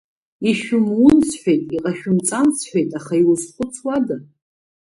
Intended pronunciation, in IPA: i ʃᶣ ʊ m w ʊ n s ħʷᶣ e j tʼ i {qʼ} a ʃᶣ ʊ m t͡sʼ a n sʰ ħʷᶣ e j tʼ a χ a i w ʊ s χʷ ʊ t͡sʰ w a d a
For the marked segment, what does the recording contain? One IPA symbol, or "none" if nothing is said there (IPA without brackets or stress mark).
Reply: qʼ